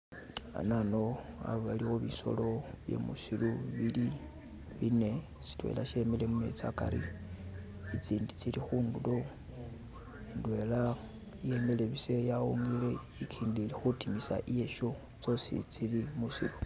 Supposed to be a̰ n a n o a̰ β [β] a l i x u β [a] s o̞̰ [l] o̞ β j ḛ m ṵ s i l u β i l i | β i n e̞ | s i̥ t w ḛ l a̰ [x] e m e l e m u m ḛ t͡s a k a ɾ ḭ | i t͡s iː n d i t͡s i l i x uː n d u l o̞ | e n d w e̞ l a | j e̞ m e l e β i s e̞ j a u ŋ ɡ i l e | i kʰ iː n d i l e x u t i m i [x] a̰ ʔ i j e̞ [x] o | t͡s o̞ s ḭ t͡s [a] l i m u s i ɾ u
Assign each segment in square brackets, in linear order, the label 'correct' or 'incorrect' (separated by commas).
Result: correct, incorrect, correct, incorrect, incorrect, incorrect, incorrect